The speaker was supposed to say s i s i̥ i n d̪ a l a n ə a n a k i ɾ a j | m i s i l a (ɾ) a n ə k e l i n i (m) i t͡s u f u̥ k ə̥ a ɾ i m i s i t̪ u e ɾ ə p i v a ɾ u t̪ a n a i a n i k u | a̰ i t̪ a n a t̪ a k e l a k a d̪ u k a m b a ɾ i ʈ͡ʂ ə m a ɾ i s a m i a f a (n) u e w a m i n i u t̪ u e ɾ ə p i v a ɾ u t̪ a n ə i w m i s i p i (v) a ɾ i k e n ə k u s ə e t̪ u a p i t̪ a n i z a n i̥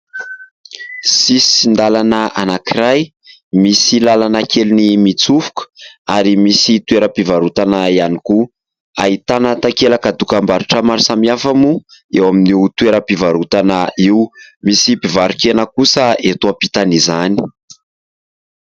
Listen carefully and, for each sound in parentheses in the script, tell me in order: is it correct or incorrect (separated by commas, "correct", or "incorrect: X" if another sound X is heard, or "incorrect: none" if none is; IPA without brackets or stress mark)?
incorrect: l, correct, incorrect: m, correct